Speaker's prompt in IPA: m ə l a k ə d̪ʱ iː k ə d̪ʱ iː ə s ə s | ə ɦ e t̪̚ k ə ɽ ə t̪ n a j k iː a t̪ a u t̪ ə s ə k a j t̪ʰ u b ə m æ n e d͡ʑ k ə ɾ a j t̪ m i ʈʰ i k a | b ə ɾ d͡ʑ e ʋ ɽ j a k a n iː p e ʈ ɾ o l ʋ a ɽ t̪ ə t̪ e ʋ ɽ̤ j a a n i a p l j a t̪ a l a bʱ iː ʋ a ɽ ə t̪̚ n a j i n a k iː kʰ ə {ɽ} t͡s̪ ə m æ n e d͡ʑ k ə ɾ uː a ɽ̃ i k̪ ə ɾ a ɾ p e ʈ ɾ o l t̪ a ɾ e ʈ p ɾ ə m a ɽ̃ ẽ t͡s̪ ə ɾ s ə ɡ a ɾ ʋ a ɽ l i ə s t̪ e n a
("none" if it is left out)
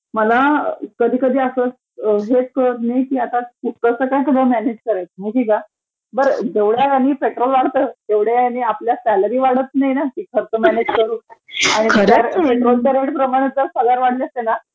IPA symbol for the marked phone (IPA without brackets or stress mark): ɾ